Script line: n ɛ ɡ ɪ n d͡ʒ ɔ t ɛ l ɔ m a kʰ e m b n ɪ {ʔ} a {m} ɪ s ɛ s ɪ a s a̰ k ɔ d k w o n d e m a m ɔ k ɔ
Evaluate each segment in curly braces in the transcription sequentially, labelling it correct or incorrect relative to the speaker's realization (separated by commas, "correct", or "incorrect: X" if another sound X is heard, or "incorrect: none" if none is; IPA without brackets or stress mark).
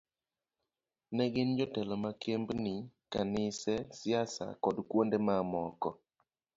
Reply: incorrect: k, incorrect: n